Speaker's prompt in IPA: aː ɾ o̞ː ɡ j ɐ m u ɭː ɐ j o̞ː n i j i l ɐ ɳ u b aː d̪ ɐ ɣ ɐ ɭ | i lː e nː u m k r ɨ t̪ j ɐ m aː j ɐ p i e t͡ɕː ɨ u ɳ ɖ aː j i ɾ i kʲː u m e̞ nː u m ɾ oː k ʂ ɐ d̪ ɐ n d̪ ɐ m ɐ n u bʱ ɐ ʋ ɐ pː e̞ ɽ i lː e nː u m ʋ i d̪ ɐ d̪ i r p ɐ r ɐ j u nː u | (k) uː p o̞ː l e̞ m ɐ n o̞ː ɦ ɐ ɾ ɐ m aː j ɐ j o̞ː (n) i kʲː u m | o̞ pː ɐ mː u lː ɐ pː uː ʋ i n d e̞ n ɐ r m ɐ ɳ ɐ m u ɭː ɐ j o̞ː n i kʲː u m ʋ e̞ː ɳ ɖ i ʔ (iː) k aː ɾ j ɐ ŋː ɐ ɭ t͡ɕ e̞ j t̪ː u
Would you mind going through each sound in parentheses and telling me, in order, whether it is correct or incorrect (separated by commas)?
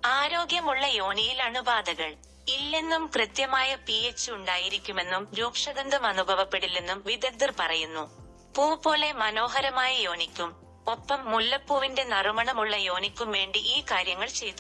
incorrect, correct, correct